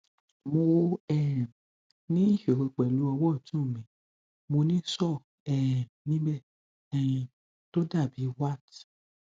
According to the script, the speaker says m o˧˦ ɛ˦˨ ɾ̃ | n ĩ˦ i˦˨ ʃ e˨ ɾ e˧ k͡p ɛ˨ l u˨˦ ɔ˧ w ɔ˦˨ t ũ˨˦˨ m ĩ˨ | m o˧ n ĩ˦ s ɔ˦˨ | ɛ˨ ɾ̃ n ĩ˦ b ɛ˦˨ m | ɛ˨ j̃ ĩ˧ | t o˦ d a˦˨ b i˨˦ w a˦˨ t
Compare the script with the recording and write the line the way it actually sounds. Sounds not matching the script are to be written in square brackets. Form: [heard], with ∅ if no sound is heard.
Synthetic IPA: m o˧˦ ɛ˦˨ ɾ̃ | n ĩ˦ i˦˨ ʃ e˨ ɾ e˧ k͡p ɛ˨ l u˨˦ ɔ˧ w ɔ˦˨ t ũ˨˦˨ m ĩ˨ | m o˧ n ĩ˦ s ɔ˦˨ | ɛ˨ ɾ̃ n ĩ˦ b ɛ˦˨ [∅] | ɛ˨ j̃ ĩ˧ | t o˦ d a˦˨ b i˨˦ w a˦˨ t

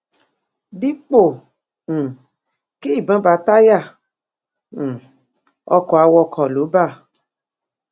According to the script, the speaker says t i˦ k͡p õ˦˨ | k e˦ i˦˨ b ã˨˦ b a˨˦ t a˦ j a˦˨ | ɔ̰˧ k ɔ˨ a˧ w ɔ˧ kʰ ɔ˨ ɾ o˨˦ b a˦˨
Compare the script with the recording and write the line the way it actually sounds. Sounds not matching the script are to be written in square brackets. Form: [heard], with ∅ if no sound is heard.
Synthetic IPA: [d] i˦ k͡p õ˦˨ | k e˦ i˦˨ b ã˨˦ b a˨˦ t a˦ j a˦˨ | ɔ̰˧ k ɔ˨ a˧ w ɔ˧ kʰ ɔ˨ [l] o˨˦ b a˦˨

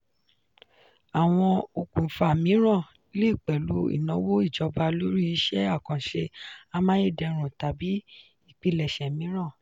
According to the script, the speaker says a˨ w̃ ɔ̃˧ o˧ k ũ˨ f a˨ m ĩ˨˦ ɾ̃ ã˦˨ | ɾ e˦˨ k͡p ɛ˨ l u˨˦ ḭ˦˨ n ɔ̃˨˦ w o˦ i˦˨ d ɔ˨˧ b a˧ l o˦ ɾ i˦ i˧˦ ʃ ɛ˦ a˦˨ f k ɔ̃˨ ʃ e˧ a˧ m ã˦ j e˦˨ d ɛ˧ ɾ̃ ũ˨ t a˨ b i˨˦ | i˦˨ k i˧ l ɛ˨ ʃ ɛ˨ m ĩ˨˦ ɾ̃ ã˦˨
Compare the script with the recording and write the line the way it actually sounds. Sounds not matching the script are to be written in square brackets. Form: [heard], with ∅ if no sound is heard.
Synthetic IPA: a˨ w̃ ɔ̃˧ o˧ k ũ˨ f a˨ m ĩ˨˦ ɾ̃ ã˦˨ | [l] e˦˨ k͡p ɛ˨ l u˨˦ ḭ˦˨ n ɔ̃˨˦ w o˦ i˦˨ [d͡ʒ] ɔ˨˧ b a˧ l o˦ ɾ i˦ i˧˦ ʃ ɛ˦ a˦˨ [∅] k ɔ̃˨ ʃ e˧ a˧ m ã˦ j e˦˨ d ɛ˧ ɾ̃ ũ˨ t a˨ b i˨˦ | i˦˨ [k͡p] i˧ l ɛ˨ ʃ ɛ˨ m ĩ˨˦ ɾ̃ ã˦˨

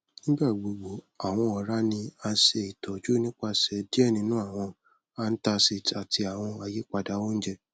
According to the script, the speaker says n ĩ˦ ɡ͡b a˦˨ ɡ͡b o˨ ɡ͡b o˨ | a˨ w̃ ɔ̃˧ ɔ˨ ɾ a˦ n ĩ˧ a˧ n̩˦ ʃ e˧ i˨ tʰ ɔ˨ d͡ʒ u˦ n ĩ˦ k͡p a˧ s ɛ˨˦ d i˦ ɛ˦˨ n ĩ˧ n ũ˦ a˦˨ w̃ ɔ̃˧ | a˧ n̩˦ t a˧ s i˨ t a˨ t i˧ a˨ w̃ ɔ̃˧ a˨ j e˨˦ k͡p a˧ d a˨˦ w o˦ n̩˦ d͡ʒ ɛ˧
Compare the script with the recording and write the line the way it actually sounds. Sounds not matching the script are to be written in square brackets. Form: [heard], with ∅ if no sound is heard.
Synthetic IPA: n ĩ˦ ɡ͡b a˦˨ ɡ͡b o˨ ɡ͡b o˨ | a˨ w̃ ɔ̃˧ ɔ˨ ɾ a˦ n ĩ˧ a˧ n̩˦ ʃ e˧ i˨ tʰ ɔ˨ d͡ʒ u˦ n ĩ˦ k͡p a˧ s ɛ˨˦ d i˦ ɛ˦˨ n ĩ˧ n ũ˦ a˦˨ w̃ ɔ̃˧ | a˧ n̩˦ t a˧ s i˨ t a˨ t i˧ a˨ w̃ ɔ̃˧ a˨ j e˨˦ k͡p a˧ d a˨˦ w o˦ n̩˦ d͡ʒ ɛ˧

